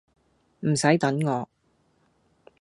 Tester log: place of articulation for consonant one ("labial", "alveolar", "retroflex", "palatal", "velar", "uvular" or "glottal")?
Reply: labial